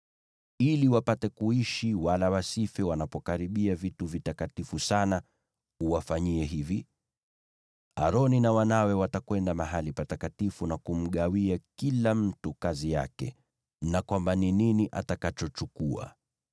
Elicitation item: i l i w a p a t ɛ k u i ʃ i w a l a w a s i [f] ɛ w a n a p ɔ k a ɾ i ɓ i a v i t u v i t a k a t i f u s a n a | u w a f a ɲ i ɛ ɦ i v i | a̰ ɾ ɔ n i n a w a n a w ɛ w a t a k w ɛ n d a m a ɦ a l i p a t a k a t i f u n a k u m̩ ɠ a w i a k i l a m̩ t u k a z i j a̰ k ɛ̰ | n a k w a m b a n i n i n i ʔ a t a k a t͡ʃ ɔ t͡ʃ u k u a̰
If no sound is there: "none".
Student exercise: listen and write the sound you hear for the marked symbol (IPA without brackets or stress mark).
f